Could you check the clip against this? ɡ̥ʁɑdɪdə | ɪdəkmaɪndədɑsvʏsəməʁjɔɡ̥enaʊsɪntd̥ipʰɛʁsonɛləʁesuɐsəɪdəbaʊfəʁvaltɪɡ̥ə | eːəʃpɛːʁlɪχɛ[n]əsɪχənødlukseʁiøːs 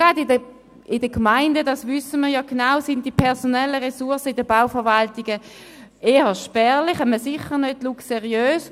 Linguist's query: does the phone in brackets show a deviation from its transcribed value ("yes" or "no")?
yes